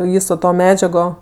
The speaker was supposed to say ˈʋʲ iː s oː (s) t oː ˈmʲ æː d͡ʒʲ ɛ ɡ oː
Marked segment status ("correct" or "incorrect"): incorrect